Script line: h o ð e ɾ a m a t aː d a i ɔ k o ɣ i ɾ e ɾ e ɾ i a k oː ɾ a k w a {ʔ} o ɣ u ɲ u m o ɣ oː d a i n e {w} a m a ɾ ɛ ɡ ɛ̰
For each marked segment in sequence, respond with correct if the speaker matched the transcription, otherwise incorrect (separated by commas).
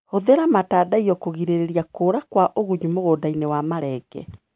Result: correct, correct